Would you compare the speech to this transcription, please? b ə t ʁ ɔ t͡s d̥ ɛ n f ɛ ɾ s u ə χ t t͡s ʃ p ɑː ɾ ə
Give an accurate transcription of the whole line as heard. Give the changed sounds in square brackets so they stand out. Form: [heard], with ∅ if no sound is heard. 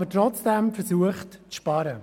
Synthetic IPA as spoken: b ə t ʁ ɔ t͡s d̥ ɛ [m] f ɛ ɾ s u ə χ t t͡s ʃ p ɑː ɾ ə